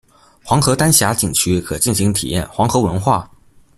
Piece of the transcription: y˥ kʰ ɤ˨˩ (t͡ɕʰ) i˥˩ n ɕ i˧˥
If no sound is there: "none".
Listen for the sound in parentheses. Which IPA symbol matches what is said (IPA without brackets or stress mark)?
t͡ɕ